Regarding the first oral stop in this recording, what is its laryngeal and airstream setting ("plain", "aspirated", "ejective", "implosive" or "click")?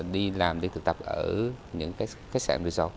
implosive